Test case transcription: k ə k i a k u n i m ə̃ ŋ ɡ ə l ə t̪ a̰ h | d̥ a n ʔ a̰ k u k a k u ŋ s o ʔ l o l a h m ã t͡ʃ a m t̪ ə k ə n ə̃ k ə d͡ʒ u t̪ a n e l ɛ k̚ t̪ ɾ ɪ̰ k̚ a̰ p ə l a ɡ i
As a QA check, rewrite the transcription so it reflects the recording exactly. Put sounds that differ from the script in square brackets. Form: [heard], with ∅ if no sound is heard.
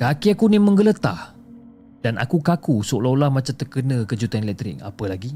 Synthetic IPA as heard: k [a] k i a k u n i m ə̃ ŋ ɡ ə l ə t̪ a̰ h | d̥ a n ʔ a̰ k u k a k u [∅] s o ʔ l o l a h m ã t͡ʃ a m t̪ ə k ə n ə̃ k ə d͡ʒ u t̪ a n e l ɛ k̚ t̪ ɾ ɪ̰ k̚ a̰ p ə l a ɡ i